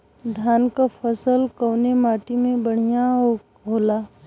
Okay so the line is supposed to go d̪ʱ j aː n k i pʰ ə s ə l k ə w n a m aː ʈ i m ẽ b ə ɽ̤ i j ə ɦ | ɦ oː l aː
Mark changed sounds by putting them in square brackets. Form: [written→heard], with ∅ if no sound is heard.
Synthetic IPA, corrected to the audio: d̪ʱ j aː n k [i→a] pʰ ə s ə l k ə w n [a→e] m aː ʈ i m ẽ b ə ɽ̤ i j [ə→a] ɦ | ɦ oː l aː